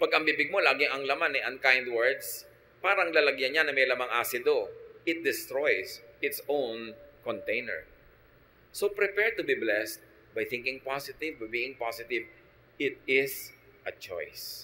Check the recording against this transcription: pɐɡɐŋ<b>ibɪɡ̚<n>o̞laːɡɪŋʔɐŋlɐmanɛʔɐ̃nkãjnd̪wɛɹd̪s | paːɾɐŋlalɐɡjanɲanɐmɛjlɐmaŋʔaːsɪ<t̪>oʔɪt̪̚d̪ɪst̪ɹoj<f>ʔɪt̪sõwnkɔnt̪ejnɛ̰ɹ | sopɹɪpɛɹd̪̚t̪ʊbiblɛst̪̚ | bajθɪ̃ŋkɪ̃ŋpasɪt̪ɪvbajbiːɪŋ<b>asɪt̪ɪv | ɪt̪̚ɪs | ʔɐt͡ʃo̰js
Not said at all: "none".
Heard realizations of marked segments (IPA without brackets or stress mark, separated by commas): b, m, d̪, s, p